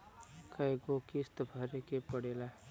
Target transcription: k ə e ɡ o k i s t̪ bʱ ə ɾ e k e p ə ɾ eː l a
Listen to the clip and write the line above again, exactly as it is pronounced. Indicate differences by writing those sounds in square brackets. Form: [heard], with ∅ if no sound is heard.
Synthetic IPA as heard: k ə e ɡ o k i s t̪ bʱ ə ɾ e k e p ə [ɽ] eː l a